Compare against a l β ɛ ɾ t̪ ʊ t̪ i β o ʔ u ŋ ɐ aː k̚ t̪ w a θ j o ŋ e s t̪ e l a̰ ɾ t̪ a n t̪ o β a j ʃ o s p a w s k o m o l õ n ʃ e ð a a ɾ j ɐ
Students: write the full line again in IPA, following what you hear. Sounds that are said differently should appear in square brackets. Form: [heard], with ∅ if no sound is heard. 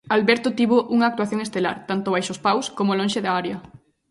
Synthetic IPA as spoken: a l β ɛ ɾ t̪ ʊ t̪ i β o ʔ u ŋ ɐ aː k̚ t̪ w a θ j o ŋ e s t̪ e l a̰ ɾ t̪ a n t̪ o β a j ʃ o s p a w s k o m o l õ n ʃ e ð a a ɾ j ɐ

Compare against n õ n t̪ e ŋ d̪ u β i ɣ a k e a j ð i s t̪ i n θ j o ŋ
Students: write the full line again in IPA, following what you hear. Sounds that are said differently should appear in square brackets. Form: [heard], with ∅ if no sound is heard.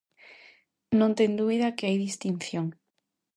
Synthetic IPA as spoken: n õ n t̪ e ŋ d̪ u β i [ð] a k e a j ð i s t̪ i n θ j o ŋ

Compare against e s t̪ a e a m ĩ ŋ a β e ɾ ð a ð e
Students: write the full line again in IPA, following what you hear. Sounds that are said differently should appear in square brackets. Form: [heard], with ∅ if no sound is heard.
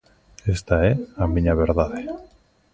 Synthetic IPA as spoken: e s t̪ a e a m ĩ [ɲ] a β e ɾ ð a ð e

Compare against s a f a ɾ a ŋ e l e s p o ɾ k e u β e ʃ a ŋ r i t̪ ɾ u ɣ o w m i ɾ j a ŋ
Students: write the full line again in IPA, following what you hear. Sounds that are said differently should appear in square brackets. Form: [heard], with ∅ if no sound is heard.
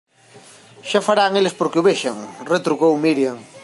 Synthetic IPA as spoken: [ʃ] a f a ɾ a ŋ e l e s p o ɾ k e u β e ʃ a ŋ r [e] t̪ ɾ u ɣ o w m i ɾ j a ŋ

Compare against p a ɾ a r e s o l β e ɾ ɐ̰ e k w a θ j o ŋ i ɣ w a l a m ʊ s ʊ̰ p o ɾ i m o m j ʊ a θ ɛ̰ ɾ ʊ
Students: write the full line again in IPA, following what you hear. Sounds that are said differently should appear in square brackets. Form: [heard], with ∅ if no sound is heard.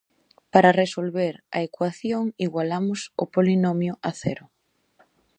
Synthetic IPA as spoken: p a ɾ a r e s o l β e ɾ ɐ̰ e k w a θ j o ŋ i ɣ w a l a m ʊ s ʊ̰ p o [l] i [n] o m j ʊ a θ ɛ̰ ɾ ʊ

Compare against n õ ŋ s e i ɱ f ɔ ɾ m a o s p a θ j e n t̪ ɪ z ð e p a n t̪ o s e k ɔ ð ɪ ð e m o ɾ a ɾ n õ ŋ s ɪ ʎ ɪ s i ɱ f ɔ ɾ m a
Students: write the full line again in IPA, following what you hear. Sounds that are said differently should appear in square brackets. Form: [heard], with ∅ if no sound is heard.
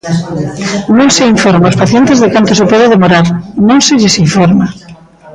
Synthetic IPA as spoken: n õ ŋ s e i ɱ f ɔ ɾ m a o s p a θ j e n t̪ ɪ z ð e [k] a n t̪ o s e [p] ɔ ð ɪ ð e m o ɾ a ɾ n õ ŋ s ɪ ʎ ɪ s i ɱ f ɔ ɾ m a

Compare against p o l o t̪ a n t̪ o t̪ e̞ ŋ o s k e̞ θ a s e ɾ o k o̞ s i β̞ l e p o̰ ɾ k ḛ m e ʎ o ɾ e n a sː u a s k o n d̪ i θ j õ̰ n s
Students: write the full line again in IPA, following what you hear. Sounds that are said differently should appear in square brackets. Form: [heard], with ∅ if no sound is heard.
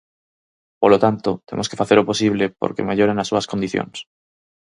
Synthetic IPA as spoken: p o l o t̪ a n t̪ o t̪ e̞ [m] o s k e̞ [f] a [θ] e ɾ o [p] o̞ s i β̞ l e p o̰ ɾ k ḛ m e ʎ o ɾ e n a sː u a s k o n d̪ i θ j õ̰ n s

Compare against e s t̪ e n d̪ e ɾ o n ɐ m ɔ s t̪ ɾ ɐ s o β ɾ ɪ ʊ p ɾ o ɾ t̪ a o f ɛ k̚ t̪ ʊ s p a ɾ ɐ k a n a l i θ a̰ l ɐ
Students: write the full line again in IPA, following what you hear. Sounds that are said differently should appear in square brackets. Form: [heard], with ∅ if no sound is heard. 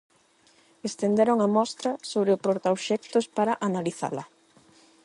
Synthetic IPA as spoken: e s t̪ e n d̪ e ɾ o [ŋ] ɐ m ɔ s t̪ ɾ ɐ s o β ɾ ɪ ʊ p ɾ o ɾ t̪ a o [ʃ] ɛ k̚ t̪ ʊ s p a ɾ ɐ [ʔ] a n a l i θ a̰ l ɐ

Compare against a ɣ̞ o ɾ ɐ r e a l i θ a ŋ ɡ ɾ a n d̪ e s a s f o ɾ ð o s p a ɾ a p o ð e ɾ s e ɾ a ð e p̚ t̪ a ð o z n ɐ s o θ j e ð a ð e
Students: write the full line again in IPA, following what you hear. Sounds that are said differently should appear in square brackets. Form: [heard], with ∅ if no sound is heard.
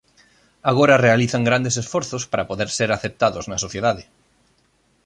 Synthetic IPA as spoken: a ɣ̞ o ɾ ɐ r e a l i θ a ŋ ɡ ɾ a n d̪ e s [e] s f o ɾ [θ] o s p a ɾ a p o ð e ɾ s e ɾ a [θ] e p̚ t̪ a ð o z n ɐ s o θ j e ð a ð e

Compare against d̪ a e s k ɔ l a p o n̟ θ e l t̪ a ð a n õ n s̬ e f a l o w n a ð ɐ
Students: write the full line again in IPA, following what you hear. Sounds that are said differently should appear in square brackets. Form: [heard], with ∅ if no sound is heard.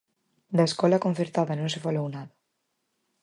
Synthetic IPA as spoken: d̪ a e s k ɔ l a [k] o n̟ θ e [ɾ] t̪ a ð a n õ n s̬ e f a l o w n a ð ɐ

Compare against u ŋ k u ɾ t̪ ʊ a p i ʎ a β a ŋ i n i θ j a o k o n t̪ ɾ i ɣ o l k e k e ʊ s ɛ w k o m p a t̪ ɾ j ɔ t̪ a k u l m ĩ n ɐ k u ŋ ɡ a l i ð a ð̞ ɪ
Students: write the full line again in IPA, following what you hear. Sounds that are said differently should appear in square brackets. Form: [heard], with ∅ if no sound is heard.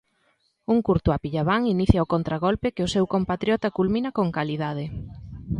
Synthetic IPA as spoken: u ŋ k u ɾ t̪ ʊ a p i ʎ a β a ŋ i n i θ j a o k o n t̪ ɾ [a] ɣ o l [p] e k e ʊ s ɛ w k o m p a t̪ ɾ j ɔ t̪ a k u l m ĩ n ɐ k [o] ŋ [k] a l i ð a ð̞ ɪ

